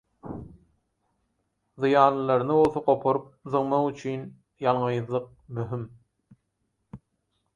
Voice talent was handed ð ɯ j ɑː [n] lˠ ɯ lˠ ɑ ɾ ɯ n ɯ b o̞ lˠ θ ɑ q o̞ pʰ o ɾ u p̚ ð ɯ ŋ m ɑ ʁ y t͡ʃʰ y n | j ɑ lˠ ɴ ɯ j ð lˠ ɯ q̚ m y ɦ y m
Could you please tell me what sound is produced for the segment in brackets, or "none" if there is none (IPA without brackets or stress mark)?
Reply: n